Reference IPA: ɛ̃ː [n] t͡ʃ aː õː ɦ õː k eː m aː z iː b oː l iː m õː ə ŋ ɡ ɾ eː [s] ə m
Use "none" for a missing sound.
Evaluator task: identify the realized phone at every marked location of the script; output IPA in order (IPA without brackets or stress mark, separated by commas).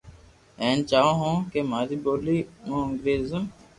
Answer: n, z